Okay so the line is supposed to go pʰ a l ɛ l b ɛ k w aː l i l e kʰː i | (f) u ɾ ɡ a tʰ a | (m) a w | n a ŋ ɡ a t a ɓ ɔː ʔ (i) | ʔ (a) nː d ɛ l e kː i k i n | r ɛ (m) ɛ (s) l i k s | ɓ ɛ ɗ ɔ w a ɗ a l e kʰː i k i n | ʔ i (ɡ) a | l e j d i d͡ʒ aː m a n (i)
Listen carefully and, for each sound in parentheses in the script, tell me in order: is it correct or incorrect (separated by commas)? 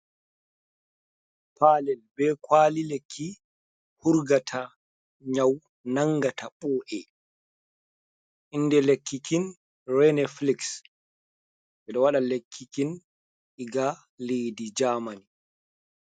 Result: incorrect, incorrect, incorrect, incorrect, incorrect, incorrect, correct, correct